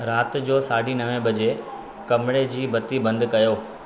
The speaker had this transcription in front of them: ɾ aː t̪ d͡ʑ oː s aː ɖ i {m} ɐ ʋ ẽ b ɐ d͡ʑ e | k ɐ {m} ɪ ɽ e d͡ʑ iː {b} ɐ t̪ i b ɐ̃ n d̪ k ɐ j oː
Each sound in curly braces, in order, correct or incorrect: incorrect: n, correct, correct

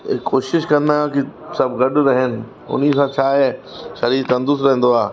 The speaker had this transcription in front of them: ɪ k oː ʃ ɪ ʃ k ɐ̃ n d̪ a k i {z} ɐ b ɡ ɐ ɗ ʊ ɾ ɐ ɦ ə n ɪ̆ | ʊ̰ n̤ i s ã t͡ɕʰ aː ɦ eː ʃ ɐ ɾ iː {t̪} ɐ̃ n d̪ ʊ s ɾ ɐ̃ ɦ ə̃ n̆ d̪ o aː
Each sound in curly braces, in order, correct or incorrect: incorrect: s, correct

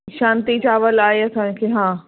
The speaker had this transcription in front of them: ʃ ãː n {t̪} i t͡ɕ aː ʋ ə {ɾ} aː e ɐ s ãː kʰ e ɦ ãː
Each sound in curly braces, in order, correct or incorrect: correct, incorrect: l

